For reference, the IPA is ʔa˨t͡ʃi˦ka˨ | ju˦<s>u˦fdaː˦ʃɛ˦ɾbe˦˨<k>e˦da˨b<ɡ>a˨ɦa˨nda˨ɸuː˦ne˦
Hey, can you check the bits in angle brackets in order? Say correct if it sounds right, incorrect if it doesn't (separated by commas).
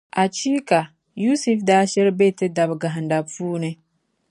correct, incorrect, correct